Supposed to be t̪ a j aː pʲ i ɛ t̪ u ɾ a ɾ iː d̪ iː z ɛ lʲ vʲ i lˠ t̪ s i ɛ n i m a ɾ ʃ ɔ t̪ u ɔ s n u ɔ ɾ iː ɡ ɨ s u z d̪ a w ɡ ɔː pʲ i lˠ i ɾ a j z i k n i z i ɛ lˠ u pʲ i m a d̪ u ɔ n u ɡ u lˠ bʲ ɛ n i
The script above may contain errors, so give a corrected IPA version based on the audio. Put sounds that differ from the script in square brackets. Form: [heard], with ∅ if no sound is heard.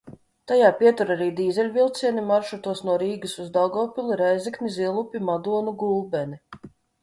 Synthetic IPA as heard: t̪ a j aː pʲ i ɛ t̪ u ɾ a ɾ iː d̪ iː z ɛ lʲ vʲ i lˠ t̪ s i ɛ n i m a ɾ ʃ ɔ t̪ u ɔ s n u ɔ ɾ iː ɡ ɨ s u z d̪ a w ɡ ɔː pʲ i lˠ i ɾ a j z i k n i z i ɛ lˠ u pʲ i m a d̪ u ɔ n u ɡ u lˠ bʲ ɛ n i